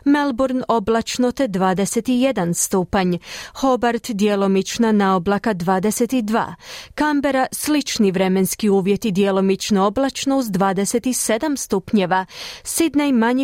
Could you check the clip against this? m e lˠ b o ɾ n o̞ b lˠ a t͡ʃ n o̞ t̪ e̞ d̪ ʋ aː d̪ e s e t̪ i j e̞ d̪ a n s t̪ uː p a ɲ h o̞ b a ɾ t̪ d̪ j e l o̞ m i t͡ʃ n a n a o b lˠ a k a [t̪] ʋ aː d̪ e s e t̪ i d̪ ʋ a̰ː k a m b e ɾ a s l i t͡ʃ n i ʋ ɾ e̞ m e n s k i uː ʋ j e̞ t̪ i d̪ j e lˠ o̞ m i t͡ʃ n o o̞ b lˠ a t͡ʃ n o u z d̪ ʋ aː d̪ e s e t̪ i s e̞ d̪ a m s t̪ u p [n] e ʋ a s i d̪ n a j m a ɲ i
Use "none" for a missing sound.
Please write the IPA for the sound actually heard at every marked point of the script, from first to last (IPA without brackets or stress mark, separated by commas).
d̪, ɲ